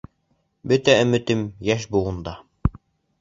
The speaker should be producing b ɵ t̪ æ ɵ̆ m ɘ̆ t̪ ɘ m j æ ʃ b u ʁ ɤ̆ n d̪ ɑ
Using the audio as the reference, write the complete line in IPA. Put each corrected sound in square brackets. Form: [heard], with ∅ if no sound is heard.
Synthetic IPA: b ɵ t̪ æ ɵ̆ m ɘ̆ t̪ ɘ m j æ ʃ b u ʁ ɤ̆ n d̪ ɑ